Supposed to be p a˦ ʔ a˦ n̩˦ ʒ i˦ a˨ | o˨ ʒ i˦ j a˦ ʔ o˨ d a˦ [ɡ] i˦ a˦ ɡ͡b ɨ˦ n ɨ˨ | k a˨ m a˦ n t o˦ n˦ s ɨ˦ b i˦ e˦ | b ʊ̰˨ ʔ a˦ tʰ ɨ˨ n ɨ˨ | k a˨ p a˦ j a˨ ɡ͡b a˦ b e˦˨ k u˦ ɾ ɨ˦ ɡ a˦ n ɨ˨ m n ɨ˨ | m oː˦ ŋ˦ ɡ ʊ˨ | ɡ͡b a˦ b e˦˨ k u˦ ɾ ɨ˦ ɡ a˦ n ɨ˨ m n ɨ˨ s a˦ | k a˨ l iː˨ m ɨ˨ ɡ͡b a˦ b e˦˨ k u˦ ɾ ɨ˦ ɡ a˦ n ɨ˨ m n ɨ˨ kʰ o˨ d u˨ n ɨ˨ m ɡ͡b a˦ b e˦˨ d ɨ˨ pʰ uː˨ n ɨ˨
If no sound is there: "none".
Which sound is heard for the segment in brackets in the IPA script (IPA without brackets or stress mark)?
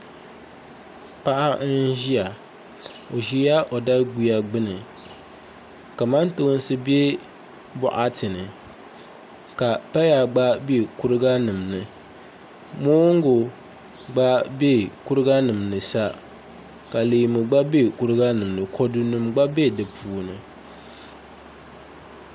ɡ